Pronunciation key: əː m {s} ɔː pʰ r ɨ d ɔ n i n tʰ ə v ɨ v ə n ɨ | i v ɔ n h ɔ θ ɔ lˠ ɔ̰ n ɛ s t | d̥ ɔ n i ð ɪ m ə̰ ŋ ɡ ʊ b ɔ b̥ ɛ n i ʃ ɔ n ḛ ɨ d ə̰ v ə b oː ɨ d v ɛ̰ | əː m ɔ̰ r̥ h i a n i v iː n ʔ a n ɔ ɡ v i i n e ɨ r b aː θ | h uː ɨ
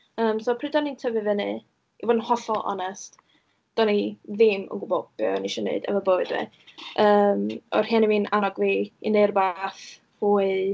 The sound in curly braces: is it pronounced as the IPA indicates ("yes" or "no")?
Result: yes